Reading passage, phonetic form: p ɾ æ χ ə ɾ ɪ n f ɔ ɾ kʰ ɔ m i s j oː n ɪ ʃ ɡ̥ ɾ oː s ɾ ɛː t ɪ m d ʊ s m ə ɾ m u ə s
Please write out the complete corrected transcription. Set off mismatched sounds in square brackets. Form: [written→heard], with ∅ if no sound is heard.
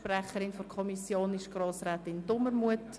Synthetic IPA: p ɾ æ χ ə ɾ ɪ n f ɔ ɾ kʰ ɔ m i s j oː n ɪ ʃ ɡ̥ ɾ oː s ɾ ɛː t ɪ [m→n] d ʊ [s→∅] m ə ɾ m u ə [s→t]